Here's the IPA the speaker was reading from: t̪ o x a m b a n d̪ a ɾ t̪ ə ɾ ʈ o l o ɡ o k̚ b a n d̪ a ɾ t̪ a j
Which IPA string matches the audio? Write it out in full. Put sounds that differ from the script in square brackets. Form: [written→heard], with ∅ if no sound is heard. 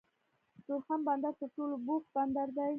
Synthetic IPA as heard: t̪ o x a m b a n d̪ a ɾ t̪ ə ɾ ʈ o l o [ɡ→b] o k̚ b a n d̪ a ɾ [t̪→d̪] a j